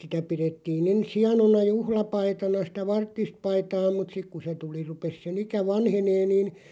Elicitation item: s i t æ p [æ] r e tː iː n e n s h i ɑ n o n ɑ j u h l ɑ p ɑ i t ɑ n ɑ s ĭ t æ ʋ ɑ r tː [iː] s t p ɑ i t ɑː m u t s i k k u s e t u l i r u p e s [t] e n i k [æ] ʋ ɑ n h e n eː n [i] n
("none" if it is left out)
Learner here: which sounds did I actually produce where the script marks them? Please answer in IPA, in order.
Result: i, i, s, æ, iː

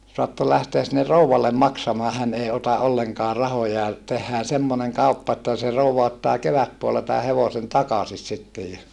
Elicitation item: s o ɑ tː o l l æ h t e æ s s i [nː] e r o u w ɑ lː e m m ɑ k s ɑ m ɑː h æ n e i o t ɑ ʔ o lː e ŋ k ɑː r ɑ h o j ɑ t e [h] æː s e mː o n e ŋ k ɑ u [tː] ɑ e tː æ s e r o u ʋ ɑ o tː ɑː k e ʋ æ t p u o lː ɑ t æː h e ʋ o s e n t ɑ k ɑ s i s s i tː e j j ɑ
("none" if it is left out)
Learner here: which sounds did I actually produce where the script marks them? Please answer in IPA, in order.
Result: nː, hː, pː

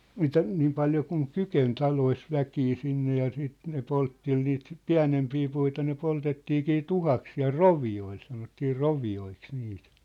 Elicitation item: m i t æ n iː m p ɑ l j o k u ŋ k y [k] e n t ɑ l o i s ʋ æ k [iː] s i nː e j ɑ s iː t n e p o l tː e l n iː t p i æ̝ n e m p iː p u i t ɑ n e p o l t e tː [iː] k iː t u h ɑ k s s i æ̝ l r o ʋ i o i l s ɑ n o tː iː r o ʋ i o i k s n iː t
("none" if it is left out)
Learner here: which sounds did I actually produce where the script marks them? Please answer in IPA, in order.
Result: k, iː, iː

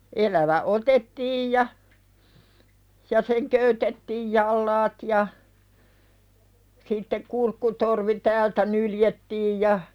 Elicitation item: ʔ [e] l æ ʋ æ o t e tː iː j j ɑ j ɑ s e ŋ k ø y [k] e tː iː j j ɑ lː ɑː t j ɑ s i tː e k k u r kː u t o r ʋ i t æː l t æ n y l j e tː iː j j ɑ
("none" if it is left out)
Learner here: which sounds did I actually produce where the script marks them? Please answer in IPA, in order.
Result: e, t

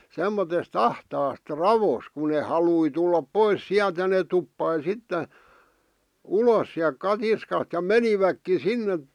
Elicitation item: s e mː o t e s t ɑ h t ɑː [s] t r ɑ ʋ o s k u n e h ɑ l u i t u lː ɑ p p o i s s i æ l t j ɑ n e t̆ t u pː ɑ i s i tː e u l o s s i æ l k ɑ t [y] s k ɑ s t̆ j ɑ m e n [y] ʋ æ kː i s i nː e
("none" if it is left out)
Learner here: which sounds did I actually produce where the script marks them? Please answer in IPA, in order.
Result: s, i, i

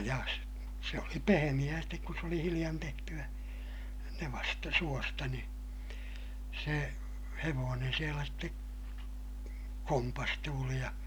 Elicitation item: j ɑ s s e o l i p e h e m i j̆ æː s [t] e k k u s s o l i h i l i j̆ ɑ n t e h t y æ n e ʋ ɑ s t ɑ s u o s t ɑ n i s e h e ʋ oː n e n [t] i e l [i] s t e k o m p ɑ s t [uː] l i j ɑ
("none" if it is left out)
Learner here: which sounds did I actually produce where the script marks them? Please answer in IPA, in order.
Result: t, s, æ, uː

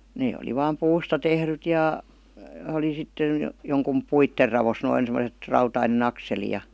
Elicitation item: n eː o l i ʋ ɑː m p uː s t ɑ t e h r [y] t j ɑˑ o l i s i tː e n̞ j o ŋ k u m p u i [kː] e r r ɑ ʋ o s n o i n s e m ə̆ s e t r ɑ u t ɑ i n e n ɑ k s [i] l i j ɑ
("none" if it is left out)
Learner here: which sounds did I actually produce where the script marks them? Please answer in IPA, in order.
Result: y, tː, e

